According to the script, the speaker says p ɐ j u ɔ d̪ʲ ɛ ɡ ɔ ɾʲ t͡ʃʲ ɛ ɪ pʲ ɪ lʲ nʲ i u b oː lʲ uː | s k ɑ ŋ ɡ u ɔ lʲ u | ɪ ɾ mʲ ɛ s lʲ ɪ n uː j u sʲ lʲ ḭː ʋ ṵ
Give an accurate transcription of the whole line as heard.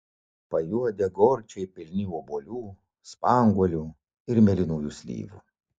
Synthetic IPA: p ɐ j u ɔ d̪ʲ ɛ ɡ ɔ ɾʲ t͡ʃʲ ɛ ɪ pʲ ɪ lʲ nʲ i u b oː lʲ uː | s p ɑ ŋ ɡ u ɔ lʲ u | ɪ ɾ mʲ ɛ lʲ ɪ n uː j u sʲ lʲ ḭː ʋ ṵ